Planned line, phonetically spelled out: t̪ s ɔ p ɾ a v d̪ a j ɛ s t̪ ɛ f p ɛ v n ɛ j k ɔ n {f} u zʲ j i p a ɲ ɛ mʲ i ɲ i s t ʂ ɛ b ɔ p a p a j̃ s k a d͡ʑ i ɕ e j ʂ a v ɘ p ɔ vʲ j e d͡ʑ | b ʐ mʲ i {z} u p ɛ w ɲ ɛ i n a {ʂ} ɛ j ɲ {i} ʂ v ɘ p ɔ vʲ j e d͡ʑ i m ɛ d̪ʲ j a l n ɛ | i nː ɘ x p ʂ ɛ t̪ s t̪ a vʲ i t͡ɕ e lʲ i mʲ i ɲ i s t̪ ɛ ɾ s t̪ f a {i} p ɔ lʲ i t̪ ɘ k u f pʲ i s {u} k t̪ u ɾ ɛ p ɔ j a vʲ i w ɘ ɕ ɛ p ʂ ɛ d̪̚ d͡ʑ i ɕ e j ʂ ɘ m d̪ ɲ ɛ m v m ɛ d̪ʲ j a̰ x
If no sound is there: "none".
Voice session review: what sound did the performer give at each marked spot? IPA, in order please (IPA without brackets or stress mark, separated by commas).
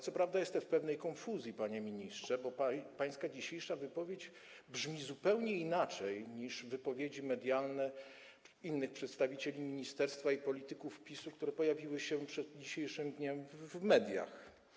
f, z, t͡ʂ, i, i, u